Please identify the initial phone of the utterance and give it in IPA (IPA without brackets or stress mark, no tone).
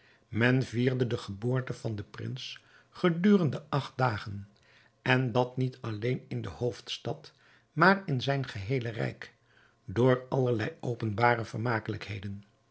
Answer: m